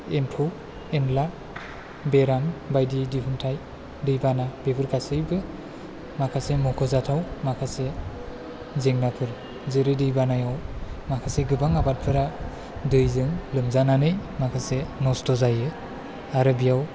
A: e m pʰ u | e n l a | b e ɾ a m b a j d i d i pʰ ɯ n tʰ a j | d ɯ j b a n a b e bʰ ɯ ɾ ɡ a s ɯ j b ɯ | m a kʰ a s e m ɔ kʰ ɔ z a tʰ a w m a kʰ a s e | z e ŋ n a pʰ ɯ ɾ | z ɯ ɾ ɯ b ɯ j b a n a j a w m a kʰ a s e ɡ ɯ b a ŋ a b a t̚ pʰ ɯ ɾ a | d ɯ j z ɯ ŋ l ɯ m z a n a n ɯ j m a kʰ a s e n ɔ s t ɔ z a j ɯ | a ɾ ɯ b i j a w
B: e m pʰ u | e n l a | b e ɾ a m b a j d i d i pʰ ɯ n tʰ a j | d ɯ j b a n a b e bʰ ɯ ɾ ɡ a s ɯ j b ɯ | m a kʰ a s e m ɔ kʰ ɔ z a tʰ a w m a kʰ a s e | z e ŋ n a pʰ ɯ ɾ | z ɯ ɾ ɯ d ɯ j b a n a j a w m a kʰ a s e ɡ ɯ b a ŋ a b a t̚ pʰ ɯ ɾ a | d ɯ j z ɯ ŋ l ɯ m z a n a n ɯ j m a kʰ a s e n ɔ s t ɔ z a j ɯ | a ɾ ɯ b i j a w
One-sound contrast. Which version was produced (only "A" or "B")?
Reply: B